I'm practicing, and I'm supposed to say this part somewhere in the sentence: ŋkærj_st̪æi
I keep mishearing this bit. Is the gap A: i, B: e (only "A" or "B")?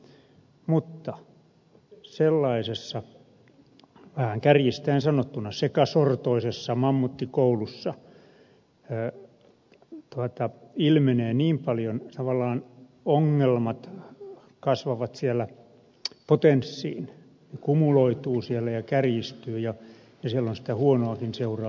A